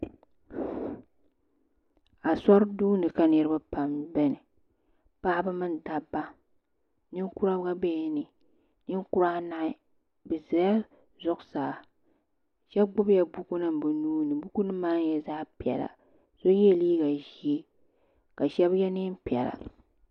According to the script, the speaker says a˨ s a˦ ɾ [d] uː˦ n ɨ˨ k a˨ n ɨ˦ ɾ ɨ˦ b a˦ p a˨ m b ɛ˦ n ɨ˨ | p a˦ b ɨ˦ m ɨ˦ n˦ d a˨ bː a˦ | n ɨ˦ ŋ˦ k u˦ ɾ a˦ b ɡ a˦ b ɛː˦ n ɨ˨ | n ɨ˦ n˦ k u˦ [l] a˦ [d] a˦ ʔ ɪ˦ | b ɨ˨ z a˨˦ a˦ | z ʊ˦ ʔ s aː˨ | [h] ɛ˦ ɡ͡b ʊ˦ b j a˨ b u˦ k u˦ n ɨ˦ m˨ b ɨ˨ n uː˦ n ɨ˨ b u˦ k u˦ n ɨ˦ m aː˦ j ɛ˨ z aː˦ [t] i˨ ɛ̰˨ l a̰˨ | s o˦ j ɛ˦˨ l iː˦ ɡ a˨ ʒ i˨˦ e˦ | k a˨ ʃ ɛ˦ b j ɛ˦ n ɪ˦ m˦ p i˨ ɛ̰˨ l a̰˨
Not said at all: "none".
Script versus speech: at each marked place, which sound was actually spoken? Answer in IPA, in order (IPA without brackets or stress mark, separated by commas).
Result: d, ɾ, n, ʃ, p